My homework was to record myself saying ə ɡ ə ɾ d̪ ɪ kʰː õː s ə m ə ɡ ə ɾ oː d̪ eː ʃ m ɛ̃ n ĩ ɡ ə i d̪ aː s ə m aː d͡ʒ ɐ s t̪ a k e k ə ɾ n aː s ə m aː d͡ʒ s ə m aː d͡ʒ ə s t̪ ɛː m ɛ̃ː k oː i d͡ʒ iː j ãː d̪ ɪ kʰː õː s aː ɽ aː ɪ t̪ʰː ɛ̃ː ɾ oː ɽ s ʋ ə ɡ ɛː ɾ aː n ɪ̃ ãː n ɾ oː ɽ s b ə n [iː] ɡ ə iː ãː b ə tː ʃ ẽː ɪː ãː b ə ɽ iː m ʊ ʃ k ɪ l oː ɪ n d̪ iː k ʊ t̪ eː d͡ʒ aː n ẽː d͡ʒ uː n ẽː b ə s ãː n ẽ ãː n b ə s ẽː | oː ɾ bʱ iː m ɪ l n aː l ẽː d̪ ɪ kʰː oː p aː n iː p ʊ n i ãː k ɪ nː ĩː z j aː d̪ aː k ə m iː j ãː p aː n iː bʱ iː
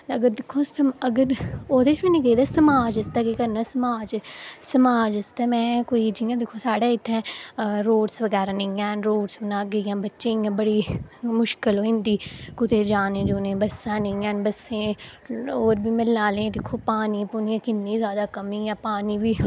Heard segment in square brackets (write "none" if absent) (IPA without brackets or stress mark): aː